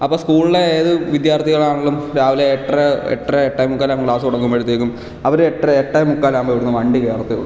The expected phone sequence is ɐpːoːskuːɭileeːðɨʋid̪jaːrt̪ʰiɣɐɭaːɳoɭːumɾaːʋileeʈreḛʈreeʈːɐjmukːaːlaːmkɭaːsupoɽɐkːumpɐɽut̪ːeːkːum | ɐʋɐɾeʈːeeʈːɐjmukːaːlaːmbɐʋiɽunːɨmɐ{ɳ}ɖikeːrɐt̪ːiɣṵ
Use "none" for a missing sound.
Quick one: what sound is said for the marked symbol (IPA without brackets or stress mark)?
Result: ɳ